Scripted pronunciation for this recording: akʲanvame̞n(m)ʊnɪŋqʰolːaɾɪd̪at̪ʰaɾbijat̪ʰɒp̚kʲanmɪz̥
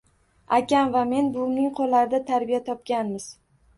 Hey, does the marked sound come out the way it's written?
no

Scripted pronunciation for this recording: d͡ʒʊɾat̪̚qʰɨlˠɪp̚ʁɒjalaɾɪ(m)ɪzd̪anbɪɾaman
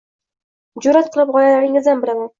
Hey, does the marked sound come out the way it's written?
no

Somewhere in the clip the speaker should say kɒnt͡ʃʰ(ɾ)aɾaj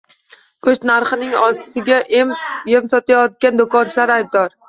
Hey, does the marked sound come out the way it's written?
no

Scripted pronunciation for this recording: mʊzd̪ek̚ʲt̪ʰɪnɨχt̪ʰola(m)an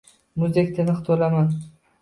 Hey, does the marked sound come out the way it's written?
yes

